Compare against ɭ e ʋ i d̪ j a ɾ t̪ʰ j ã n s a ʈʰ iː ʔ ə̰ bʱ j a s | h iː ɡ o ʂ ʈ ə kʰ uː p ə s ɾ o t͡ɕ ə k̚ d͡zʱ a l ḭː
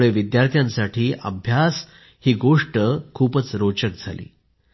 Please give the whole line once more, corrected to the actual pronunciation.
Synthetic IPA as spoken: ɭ e ʋ i d̪ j a ɾ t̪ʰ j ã n s a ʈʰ iː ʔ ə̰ bʱ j a s | h iː ɡ o ʂ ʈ ə kʰ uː p ə t͡s ɾ o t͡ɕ ə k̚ d͡zʱ a l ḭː